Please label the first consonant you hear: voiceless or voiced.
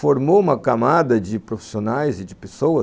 voiceless